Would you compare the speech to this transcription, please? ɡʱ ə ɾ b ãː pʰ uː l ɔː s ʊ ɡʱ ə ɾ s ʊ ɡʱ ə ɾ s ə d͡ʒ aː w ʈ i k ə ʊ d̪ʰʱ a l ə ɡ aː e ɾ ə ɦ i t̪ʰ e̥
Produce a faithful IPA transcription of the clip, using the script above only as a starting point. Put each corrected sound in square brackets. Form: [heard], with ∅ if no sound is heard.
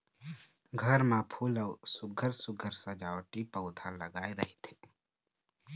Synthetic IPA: ɡʱ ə ɾ [m] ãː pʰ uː l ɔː s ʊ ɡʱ ə ɾ s ʊ ɡʱ ə ɾ s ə d͡ʒ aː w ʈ i [p] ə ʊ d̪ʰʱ a l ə ɡ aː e ɾ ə ɦ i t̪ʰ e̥

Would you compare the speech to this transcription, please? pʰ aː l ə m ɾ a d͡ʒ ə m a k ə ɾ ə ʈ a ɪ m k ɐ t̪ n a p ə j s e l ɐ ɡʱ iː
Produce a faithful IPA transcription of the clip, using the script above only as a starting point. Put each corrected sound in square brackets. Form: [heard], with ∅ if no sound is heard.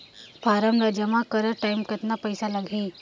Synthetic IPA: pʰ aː [ɾ] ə m ɾ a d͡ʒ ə m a k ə ɾ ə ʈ a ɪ m k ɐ t̪ n a p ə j s [a] l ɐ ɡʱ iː

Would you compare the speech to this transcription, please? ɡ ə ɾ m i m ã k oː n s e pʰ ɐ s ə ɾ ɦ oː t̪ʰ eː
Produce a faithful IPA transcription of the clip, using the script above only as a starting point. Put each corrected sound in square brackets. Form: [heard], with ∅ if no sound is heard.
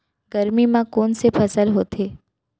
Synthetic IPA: ɡ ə ɾ m i m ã k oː n s e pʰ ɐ s ə [l] ɦ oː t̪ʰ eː

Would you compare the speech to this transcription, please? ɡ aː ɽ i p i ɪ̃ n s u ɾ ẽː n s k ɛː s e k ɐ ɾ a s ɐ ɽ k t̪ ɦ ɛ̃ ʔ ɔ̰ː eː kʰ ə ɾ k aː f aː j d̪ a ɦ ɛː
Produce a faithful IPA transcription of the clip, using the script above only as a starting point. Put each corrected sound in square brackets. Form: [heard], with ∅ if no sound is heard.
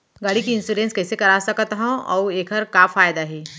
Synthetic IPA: ɡ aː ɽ i [k] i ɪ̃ n s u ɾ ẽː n s k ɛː s e k ɐ ɾ a s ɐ [∅] k t̪ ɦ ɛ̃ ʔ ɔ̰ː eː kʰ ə ɾ k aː f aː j d̪ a ɦ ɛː

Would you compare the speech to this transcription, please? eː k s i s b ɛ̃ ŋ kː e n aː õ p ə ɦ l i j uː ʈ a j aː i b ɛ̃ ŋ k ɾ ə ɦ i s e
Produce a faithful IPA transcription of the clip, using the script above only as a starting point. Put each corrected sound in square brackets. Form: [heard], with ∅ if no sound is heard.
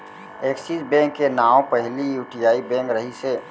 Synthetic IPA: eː k s i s b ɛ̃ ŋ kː e n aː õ p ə ɦ l i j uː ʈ [i] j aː i b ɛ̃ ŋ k ɾ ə ɦ i s e

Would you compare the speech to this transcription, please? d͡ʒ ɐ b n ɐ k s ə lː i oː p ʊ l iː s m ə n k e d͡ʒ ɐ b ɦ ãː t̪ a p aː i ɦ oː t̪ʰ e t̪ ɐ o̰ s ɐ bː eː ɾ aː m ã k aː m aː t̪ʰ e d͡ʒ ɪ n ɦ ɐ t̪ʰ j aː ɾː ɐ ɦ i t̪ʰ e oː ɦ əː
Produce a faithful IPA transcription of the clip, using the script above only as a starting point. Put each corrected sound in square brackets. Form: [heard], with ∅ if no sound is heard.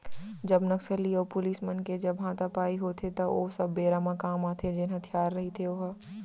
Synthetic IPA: d͡ʒ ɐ b n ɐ k s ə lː i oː p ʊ l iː s m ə n k e d͡ʒ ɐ b ɦ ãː t̪ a p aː i ɦ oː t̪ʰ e t̪ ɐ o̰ s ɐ bː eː ɾ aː m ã k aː m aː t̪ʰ e d͡ʒ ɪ n ɦ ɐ t̪ʰ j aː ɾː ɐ ɦ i t̪ʰ e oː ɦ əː

